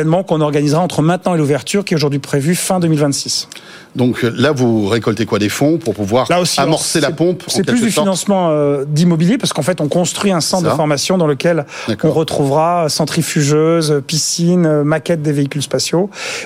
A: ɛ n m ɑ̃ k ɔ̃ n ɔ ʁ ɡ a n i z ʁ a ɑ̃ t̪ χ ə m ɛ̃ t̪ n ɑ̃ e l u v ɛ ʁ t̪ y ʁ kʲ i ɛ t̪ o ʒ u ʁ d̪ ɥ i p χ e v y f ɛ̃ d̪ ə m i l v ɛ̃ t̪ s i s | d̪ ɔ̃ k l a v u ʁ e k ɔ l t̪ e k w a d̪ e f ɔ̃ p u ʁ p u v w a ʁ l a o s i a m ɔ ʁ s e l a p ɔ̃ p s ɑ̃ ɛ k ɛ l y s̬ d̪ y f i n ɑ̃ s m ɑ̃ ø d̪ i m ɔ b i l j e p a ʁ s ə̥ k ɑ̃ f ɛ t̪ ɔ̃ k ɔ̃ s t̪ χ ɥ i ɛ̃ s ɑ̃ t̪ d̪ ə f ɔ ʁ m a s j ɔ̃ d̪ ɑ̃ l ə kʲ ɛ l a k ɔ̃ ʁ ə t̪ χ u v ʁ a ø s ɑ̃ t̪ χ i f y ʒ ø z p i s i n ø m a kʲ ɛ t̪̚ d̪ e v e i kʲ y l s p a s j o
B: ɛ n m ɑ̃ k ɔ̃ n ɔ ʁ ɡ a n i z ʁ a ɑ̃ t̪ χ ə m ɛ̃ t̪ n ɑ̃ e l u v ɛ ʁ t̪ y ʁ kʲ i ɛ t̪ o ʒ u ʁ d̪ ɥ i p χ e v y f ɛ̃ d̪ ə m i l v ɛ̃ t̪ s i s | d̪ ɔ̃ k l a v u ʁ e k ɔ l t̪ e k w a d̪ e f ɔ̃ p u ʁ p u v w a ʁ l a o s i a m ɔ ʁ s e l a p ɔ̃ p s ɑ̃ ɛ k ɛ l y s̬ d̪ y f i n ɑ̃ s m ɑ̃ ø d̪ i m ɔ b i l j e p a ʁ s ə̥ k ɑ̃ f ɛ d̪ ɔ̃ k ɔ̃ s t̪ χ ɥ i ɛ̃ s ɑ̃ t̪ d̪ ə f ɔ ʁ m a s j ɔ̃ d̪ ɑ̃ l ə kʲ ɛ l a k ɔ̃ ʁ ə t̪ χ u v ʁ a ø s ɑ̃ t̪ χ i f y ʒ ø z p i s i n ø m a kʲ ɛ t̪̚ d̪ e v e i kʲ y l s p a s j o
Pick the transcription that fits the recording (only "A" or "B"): A